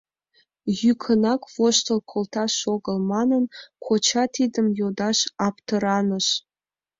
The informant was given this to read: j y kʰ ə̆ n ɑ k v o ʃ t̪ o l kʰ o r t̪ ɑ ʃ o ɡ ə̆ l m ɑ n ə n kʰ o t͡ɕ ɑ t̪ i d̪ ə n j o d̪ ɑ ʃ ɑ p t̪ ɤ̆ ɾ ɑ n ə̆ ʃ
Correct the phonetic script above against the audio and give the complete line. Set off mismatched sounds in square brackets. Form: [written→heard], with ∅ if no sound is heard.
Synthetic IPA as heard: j y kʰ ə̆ n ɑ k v o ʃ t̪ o l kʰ o [r→l] t̪ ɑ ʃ o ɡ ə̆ l m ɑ n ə n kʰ o t͡ɕ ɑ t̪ i d̪ ə [n→m] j o d̪ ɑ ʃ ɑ p t̪ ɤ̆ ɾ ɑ n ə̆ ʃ

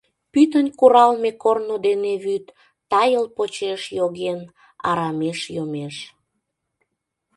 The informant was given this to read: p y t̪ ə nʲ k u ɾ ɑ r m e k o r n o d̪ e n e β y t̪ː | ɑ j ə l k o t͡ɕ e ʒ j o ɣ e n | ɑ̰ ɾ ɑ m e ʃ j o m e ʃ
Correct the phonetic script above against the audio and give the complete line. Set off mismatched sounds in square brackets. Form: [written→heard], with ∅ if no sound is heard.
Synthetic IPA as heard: p y t̪ ə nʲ k u ɾ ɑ [r→l] m e k o r n o d̪ e n e β y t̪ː | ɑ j ə l [k→p] o t͡ɕ e [ʒ→ʃ] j o ɣ e n | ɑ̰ ɾ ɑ m e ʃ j o m e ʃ

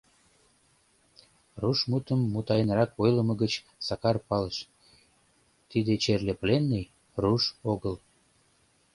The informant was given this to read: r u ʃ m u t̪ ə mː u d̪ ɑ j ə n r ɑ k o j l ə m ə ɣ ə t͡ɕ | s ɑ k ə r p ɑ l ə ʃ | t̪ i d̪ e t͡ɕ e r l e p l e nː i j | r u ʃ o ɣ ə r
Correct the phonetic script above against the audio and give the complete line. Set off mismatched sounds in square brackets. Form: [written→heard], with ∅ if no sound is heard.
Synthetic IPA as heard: r u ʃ m u t̪ ə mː u [d̪→t̪] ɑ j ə n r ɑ k o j l ə m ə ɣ ə t͡ɕ | s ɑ k [ə→ɑ] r p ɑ l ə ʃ | t̪ i d̪ e t͡ɕ e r l e p l e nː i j | r u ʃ o ɣ ə [r→l]

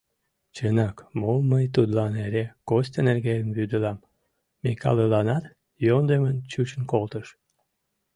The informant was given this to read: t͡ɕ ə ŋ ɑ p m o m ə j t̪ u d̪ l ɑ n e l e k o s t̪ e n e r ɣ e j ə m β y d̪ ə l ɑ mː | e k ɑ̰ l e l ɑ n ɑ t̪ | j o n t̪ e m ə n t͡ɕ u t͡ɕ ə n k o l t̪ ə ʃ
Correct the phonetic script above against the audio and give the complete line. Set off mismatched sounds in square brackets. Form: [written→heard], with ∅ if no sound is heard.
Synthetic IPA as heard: t͡ɕ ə [ŋ→n] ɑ [p→k] m o m ə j t̪ u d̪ l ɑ n e [l→ɾ] e k o s t̪ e n e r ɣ e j ə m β y d̪ ə l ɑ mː | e k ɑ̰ l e l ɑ n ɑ t̪ | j o n [t̪→d̪] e m ə n t͡ɕ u t͡ɕ ə n k o l t̪ ə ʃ

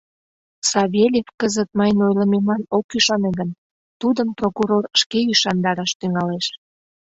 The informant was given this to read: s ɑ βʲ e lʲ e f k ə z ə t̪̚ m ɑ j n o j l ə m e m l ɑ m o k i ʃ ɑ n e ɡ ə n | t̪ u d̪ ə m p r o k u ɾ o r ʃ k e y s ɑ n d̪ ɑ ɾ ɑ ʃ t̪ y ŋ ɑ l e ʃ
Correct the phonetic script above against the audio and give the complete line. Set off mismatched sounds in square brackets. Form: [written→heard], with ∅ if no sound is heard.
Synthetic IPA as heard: s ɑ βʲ e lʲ e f k ə z ə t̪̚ m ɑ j n o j l ə m e m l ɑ [m→n] o k [i→y] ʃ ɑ n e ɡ ə n | t̪ u d̪ ə m p r o k u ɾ o r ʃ k e y [s→ʃ] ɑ n d̪ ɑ ɾ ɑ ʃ t̪ y ŋ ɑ l e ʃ

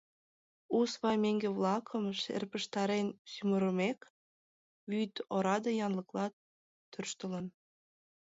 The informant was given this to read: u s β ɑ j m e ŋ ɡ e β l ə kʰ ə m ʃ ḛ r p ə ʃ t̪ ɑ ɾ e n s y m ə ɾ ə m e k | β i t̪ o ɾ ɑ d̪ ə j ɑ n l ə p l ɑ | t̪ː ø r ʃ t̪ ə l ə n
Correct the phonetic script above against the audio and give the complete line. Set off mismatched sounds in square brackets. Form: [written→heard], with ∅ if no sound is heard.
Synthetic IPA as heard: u s β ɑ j m e ŋ ɡ e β l [ə→ɑ] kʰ ə m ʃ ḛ r p ə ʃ t̪ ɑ ɾ e n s y m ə ɾ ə m e k | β [i→y] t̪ o ɾ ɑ d̪ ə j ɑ n l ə [p→k] l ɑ | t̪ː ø r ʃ t̪ ə l ə n

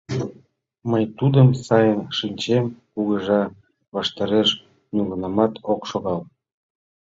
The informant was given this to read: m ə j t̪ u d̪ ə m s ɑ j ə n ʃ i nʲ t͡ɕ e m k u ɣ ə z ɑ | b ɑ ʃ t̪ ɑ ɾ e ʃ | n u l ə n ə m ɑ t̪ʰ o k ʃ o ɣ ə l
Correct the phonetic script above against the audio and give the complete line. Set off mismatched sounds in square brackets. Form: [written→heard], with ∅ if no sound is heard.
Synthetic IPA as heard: m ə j t̪ u d̪ ə m s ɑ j ə n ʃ i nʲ t͡ɕ e m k u ɣ ə [z→ʒ] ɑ | [b→β] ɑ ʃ t̪ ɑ ɾ e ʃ | n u l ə n [ə→ɑ] m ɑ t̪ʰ o k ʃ o ɣ [ə→ɑ] l

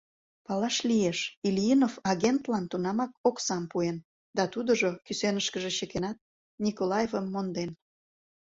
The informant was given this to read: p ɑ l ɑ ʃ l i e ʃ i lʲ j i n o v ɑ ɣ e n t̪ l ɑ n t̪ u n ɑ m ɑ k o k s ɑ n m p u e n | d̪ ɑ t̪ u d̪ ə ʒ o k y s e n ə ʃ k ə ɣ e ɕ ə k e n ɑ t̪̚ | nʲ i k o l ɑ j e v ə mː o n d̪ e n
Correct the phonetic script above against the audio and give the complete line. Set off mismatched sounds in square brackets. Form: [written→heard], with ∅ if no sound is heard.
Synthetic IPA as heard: p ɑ l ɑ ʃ l i e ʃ i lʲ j i n o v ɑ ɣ e n t̪ l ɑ n t̪ u n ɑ m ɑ k o k s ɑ [n→∅] m p u e n | d̪ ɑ t̪ u d̪ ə ʒ o k y s e n ə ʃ k ə [ɣ→ʒ] e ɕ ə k e n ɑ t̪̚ | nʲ i k o l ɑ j e v ə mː o n d̪ e n

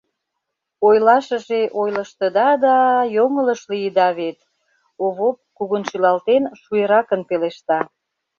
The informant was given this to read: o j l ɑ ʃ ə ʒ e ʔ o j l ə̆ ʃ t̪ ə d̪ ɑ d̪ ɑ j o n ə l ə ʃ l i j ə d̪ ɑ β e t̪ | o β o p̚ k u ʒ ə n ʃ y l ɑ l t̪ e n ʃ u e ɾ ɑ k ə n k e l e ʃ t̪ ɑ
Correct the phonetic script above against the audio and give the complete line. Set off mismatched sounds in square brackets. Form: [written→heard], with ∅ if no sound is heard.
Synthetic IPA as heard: o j l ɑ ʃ ə ʒ e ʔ o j l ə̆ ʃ t̪ ə d̪ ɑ d̪ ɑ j o [n→ŋ] ə l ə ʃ l i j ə d̪ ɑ β e t̪ | o β o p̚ k u [ʒ→ɣ] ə n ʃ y l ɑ l t̪ e n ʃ u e ɾ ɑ k ə n [k→p] e l e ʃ t̪ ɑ

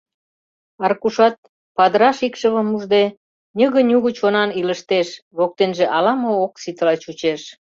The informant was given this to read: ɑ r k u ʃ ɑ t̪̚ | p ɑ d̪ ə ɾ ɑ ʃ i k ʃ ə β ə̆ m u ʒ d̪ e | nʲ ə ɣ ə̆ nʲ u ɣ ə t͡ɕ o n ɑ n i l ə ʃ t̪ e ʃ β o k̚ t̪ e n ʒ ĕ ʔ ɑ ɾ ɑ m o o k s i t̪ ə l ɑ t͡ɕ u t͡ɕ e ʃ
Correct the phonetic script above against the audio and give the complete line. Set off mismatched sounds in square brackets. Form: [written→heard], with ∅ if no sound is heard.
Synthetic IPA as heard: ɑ r k u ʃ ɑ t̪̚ | p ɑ d̪ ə ɾ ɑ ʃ i k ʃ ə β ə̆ m u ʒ d̪ e | nʲ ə ɣ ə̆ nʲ u ɣ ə t͡ɕ o n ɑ n i l ə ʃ t̪ e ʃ β o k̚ t̪ e n ʒ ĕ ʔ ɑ [ɾ→l] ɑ m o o k s i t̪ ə l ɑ t͡ɕ u t͡ɕ e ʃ

